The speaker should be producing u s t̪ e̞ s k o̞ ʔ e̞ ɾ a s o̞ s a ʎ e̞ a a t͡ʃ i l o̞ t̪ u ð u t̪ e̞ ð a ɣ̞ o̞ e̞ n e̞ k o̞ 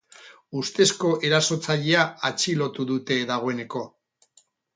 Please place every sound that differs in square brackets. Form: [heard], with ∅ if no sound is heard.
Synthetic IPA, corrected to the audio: u s t̪ e̞ s k o̞ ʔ e̞ ɾ a s o̞ [t͡s] a ʎ e̞ a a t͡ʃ i l o̞ t̪ u ð u t̪ e̞ ð a ɣ̞ o̞ e̞ n e̞ k o̞